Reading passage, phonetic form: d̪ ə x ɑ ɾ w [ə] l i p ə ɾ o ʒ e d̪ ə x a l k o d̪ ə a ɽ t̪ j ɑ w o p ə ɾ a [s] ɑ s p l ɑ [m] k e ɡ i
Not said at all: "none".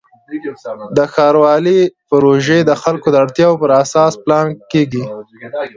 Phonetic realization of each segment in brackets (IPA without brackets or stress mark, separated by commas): ɑ, s, n